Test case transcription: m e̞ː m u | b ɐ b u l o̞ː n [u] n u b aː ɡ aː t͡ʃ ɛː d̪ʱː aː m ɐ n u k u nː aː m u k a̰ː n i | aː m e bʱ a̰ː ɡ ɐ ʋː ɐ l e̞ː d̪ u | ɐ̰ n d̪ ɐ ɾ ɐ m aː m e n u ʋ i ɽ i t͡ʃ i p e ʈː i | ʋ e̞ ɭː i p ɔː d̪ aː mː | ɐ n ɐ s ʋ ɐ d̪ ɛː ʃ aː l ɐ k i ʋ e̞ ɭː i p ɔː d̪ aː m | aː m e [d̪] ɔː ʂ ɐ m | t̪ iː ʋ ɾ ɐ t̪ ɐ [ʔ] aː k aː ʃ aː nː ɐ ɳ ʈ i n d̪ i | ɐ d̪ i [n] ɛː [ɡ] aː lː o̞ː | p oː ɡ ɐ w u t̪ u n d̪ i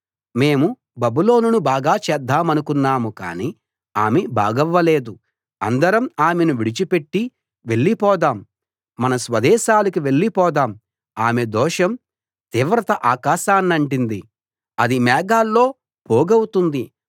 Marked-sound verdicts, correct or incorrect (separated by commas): correct, correct, correct, incorrect, correct